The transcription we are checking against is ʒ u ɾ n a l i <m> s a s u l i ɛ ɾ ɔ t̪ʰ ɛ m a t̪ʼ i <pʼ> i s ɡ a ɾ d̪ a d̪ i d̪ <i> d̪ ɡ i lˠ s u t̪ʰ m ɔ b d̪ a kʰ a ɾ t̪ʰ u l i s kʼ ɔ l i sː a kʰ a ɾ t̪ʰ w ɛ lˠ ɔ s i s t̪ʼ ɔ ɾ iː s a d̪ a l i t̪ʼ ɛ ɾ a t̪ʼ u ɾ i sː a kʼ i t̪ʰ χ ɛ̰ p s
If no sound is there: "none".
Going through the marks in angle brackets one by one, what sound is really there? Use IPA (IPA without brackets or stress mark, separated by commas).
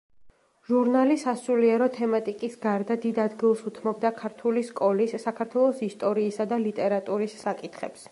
none, kʼ, a